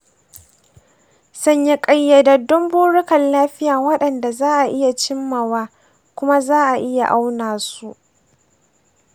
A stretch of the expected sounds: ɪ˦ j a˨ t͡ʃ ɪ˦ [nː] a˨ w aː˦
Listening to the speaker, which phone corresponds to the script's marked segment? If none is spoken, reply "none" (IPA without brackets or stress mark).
mː